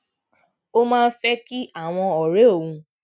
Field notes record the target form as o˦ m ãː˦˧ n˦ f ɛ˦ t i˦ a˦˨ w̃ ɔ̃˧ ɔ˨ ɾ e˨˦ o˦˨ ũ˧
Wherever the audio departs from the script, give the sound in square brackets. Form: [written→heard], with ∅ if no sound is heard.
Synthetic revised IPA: o˦ m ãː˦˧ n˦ f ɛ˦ [t→k] i˦ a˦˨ w̃ ɔ̃˧ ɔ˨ ɾ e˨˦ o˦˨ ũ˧